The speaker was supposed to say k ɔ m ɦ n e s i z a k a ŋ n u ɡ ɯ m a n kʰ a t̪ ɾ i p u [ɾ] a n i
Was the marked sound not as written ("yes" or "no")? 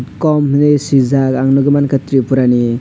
no